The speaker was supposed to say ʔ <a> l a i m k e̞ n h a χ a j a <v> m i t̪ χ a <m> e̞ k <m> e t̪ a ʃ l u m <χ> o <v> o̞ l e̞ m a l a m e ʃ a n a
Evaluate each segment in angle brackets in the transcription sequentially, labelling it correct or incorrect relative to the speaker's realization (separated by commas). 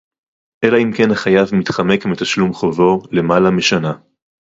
incorrect, correct, correct, correct, correct, correct